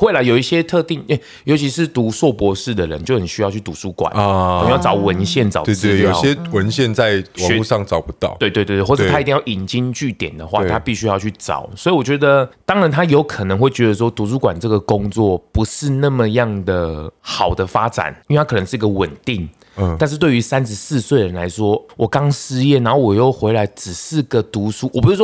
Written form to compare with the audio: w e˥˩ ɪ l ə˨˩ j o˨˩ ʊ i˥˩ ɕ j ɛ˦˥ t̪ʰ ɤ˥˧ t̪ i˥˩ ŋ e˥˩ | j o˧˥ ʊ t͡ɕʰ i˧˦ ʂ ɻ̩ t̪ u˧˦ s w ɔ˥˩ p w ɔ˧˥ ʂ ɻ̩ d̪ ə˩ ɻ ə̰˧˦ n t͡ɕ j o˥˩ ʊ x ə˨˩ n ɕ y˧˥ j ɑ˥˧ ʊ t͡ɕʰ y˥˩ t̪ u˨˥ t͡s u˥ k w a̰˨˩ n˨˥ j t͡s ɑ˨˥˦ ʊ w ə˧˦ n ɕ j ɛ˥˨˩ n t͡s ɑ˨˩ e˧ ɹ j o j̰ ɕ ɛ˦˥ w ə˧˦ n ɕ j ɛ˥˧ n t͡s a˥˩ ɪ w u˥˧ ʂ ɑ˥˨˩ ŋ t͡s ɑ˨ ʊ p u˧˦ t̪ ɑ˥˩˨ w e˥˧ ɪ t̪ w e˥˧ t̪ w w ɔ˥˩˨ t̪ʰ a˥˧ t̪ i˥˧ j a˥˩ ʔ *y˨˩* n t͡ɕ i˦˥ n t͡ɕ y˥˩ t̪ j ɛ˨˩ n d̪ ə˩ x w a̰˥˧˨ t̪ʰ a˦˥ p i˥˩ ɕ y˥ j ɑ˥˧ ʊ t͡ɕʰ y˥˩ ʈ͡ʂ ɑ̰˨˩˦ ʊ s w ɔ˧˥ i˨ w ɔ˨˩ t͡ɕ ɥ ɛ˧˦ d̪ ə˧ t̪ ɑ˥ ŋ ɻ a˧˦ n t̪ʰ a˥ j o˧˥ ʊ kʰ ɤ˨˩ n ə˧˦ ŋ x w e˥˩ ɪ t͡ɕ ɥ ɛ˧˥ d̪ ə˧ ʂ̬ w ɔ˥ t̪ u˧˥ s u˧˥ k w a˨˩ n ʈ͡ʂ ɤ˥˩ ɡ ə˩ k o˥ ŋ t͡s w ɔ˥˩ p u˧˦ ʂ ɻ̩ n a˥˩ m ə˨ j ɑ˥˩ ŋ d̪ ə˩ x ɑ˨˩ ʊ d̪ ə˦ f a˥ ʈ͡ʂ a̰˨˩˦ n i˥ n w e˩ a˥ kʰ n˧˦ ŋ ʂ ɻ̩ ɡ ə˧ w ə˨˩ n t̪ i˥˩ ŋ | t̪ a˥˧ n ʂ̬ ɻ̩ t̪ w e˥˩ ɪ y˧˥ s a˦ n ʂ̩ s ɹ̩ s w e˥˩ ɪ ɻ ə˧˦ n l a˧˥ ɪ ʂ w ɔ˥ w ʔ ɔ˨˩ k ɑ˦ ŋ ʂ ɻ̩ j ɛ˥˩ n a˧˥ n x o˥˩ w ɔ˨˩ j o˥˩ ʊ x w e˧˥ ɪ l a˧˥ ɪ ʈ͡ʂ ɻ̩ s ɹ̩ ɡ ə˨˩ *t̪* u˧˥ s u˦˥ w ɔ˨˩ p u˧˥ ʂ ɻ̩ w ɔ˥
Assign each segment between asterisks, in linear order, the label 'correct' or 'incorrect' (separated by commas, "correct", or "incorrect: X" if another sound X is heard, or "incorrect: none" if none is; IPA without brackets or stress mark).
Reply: incorrect: i˨˩, correct